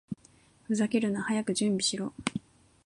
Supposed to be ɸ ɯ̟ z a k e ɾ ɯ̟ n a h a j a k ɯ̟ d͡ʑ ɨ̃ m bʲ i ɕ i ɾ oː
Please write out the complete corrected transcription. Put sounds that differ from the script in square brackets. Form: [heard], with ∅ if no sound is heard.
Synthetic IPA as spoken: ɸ ɯ̟ z a k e ɾ ɯ̟ n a h a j a k ɯ̟ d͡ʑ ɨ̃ m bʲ i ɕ i ɾ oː